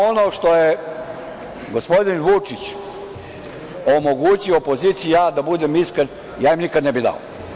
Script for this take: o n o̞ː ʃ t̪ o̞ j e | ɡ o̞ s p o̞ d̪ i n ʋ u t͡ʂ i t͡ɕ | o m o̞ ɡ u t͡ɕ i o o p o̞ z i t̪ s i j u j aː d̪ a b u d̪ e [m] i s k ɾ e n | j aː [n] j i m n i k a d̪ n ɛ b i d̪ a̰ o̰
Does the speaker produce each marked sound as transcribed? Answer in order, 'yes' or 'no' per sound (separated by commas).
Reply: yes, no